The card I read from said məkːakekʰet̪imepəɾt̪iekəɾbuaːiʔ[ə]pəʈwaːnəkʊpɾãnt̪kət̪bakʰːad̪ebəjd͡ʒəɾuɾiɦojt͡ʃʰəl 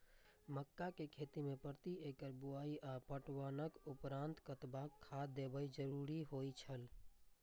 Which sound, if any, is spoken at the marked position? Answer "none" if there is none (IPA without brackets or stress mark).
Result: a